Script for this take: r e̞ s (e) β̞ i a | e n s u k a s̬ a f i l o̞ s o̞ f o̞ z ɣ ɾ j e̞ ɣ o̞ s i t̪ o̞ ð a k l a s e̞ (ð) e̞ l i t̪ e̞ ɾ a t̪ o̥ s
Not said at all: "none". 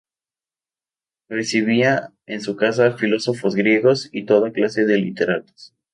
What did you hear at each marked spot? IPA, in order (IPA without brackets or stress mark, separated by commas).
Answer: i, ð